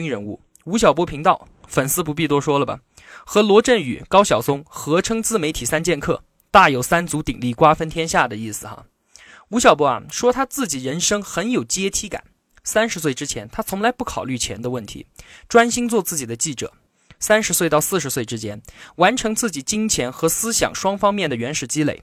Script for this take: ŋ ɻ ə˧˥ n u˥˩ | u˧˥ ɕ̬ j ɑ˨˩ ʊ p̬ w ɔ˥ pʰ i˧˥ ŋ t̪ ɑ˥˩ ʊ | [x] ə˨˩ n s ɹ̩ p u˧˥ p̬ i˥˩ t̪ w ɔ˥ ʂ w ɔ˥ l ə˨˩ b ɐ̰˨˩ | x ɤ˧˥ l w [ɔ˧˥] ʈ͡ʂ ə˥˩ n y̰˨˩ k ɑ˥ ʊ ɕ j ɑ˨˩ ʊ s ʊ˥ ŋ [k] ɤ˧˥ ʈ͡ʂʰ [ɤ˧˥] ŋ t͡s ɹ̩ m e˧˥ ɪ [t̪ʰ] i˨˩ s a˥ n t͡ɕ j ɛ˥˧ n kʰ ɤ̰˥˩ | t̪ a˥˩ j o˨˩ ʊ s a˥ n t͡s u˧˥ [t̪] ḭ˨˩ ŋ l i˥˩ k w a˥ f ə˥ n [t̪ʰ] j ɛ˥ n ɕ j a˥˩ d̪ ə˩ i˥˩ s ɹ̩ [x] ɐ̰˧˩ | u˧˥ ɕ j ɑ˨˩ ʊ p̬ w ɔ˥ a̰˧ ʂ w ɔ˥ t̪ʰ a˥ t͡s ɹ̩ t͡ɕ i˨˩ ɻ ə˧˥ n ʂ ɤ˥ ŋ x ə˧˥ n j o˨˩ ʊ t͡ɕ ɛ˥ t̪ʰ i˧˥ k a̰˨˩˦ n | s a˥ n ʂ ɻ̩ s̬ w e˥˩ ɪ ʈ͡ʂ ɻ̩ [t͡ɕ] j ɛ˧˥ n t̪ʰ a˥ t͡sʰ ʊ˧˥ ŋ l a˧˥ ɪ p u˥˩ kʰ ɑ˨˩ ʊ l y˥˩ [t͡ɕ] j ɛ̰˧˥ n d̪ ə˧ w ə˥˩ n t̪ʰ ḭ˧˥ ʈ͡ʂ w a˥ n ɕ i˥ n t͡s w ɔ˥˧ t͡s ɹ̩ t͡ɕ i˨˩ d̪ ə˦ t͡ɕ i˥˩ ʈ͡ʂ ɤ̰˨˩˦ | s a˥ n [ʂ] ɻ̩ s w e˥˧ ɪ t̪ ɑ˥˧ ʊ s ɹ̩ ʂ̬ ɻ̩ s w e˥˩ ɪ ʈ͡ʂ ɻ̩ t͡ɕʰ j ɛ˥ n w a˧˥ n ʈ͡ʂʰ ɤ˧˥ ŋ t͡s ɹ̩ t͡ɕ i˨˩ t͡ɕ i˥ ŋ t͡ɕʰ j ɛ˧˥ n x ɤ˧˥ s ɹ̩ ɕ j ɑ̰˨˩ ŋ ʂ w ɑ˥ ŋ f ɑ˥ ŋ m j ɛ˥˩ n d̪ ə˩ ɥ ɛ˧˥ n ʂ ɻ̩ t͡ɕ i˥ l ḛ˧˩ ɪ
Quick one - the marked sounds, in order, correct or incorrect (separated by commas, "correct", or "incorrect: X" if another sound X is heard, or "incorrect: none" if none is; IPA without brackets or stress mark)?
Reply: incorrect: f, correct, incorrect: x, incorrect: ɤ˥, correct, correct, correct, correct, incorrect: t͡ɕʰ, incorrect: t͡ɕʰ, correct